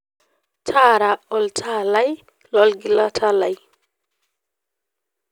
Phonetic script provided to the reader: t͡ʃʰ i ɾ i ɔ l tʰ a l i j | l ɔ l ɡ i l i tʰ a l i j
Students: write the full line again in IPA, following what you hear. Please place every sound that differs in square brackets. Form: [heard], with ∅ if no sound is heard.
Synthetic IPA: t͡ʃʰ [a] ɾ [a] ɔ l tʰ a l [a] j | l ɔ l ɡ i l [a] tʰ a l [a] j